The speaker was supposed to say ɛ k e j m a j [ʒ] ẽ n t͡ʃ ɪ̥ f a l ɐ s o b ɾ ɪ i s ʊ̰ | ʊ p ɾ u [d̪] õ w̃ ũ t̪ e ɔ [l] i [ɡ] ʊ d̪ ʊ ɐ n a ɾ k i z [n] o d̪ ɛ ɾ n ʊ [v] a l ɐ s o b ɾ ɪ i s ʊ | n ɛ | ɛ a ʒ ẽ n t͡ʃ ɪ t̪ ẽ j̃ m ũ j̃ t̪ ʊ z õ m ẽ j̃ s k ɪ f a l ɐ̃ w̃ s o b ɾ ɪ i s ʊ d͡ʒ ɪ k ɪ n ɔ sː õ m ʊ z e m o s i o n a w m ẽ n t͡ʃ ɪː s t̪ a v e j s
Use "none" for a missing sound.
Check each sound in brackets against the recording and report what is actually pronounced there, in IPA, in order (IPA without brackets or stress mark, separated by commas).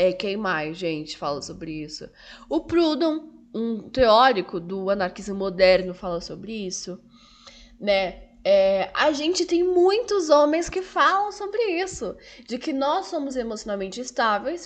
ʒ, d̪, ɾ, k, m, f